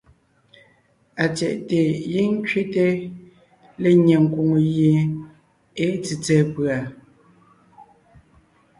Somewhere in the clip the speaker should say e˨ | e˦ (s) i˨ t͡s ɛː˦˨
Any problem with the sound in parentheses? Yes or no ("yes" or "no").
yes